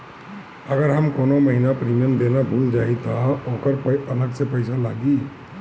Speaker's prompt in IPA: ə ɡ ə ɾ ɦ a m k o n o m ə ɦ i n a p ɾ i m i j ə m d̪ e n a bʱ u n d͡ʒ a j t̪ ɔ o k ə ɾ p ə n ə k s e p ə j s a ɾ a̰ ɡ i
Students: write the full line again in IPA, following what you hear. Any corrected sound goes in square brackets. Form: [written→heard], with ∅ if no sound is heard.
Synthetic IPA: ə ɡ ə ɾ ɦ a m k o n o m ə ɦ i n a p ɾ i m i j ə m d̪ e n a bʱ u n d͡ʒ a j t̪ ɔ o k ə ɾ p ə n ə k s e p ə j s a [ɾ→l] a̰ ɡ i

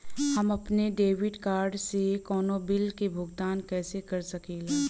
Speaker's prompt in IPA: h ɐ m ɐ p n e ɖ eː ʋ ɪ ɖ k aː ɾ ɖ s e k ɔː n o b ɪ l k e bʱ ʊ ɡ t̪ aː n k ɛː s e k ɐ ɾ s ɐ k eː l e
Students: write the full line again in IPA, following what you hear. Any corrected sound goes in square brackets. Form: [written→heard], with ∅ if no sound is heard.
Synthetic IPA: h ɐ m ɐ p n e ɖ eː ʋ ɪ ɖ k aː ɾ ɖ s e k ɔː n o b ɪ l k e bʱ ʊ ɡ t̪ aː n k ɛː s e k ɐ ɾ s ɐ k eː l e

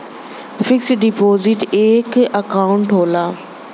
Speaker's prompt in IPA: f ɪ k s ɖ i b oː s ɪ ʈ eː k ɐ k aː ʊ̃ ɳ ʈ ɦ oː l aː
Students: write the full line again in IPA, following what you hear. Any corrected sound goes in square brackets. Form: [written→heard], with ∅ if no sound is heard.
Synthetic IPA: f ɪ k s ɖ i [b→p] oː [s→z] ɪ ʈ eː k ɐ k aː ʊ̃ ɳ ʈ ɦ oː l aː

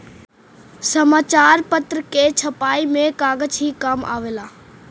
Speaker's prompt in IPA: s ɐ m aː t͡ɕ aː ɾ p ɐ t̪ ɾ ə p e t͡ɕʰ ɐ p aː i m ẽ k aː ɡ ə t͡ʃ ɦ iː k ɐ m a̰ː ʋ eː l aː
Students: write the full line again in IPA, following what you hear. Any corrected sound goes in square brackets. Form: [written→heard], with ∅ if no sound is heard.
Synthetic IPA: s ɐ m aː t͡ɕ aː ɾ p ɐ t̪ ɾ ə [p→k] e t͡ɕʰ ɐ p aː i m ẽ k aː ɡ ə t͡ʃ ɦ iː k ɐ m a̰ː ʋ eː l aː

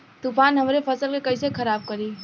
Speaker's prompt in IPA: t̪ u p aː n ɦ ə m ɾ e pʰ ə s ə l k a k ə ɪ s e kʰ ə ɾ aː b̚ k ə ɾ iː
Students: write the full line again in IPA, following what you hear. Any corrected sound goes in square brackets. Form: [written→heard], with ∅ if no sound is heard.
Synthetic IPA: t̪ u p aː n ɦ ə m ɾ e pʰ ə s ə l k [a→e] k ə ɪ s e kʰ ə ɾ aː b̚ k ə ɾ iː

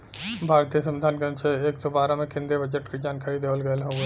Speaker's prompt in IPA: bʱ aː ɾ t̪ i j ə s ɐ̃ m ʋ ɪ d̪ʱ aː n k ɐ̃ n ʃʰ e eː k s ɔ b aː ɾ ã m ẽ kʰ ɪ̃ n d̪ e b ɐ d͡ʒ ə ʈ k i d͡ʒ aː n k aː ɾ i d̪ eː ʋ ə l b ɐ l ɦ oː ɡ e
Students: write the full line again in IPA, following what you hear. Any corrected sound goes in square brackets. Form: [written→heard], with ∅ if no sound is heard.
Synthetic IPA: bʱ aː ɾ t̪ i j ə s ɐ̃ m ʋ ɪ d̪ʱ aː n k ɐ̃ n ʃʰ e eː k s ɔ b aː ɾ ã m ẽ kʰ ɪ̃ n d̪ e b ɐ d͡ʒ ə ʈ k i d͡ʒ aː n k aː ɾ i d̪ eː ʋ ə l [b→ɡ] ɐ l ɦ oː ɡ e

